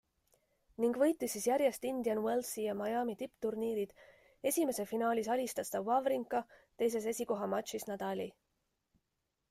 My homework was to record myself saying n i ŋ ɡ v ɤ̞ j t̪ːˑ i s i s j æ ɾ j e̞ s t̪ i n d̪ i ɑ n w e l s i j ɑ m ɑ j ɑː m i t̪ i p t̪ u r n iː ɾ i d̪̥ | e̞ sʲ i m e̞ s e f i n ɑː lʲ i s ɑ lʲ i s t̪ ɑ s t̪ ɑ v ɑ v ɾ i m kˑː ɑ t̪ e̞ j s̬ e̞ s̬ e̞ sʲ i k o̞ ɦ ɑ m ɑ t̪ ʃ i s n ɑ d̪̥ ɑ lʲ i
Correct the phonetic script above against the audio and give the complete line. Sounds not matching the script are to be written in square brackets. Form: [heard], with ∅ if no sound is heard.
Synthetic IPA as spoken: n i ŋ ɡ v ɤ̞ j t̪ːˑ i s i s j æ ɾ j e̞ s t̪ i n d̪ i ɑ n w e l s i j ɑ m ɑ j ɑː m i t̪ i p t̪ u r n iː ɾ i d̪̥ | e̞ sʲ i m e̞ s e f i n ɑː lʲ i s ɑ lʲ i s t̪ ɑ s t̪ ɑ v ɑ v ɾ i [ŋ] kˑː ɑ t̪ e̞ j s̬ e̞ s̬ e̞ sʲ i k o̞ ɦ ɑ m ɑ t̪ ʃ i s n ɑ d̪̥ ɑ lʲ i

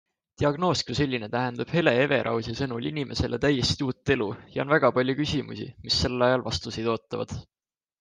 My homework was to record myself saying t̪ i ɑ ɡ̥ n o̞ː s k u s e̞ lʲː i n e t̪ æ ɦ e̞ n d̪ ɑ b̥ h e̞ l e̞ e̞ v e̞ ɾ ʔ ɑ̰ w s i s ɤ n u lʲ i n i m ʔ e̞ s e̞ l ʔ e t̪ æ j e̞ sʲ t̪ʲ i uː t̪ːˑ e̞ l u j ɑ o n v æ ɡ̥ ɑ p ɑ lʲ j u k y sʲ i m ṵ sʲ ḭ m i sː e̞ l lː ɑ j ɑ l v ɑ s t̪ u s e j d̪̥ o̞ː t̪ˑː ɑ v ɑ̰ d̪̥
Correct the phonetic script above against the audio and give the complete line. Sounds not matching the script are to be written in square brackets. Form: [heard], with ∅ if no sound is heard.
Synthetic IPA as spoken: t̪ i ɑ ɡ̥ n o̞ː s k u s e̞ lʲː i n e t̪ æ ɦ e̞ n d̪ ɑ b̥ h e̞ l e̞ e̞ v e̞ ɾ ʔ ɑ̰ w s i s ɤ n u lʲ i n i m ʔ e̞ s e̞ l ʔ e t̪ æ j e̞ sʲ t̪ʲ i uː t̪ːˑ e̞ l u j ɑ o n v æ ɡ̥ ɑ p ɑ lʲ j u k y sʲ i m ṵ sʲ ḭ m i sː e̞ l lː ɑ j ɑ l v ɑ s t̪ u s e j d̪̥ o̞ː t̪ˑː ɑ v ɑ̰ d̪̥

